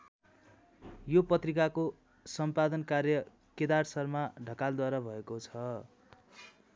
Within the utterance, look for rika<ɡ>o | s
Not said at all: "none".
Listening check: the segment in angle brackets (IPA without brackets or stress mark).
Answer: k